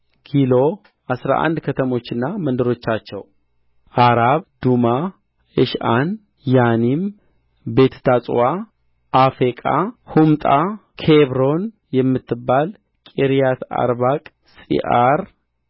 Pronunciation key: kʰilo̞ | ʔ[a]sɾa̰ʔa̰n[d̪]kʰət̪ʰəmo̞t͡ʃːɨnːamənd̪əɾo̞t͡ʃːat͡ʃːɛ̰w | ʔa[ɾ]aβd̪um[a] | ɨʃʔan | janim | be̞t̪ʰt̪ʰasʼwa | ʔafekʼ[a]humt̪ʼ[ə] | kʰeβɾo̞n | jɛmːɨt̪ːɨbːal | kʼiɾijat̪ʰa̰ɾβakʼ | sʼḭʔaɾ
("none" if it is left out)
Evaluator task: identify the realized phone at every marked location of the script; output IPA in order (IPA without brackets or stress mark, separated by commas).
a, d̪, ɾ, a, a, a